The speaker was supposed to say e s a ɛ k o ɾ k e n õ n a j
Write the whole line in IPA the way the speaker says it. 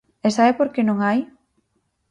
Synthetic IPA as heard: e s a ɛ p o ɾ k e n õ ŋ a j